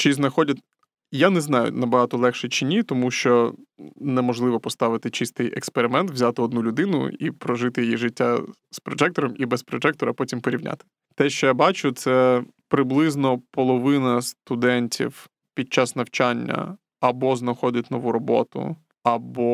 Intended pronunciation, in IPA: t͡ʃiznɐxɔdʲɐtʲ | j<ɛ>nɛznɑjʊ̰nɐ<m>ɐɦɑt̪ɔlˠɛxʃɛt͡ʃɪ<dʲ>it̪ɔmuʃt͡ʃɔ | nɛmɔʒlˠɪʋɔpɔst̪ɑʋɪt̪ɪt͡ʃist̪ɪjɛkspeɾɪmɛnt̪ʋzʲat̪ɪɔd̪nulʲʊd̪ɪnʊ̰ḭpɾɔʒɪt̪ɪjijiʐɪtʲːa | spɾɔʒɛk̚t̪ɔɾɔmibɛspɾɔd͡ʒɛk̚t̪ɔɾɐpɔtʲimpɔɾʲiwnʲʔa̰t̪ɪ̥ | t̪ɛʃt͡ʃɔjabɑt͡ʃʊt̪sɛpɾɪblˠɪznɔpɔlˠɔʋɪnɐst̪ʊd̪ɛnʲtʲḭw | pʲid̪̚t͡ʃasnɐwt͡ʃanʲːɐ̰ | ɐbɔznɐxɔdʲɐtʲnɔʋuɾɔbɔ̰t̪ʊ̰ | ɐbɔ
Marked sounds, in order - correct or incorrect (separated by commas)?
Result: incorrect, incorrect, incorrect